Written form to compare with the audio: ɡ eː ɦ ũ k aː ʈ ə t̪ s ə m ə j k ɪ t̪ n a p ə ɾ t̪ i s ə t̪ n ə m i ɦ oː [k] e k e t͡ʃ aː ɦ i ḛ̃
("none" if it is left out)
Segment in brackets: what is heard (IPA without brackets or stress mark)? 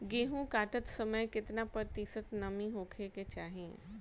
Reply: kʰ